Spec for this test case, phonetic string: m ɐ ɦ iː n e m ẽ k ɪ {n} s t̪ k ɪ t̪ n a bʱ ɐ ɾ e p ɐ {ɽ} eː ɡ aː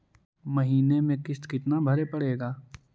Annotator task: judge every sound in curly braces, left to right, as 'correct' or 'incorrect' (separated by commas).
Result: incorrect, correct